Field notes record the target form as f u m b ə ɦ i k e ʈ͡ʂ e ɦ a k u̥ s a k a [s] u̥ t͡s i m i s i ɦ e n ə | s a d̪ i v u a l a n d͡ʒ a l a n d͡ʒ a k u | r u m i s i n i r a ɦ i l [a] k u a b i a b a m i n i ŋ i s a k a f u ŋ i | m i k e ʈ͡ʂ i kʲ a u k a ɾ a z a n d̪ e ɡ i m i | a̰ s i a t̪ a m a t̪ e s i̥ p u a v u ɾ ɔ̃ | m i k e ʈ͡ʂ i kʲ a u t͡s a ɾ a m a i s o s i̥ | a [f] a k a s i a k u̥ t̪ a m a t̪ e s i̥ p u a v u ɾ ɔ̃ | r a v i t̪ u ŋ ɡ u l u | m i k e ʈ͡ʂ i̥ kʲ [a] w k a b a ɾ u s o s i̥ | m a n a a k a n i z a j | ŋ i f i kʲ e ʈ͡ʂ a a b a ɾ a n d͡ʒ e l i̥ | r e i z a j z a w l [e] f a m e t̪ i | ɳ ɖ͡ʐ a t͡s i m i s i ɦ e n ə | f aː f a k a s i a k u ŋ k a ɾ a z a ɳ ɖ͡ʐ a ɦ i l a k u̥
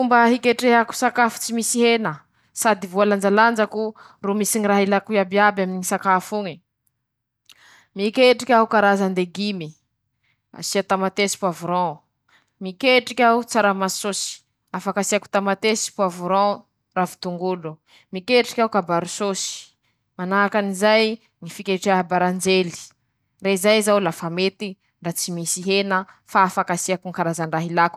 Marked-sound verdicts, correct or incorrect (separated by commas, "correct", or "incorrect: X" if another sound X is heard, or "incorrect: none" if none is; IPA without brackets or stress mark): incorrect: f, correct, correct, correct, incorrect: a